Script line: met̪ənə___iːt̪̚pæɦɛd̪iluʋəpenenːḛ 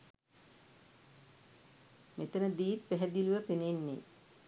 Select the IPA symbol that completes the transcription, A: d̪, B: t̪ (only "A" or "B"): A